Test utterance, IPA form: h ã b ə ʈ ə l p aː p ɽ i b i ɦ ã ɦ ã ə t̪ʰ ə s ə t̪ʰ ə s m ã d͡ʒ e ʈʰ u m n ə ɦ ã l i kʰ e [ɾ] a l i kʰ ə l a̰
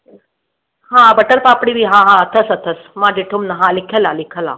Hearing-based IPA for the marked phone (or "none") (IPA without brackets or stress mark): l